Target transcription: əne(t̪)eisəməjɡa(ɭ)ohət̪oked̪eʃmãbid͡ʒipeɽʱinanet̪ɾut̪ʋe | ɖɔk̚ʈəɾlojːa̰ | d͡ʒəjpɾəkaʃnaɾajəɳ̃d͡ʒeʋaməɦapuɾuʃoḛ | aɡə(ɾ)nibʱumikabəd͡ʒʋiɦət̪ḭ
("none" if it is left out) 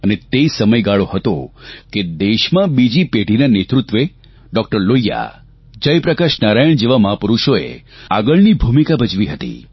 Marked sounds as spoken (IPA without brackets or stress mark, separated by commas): t̪, ɭ, ɭ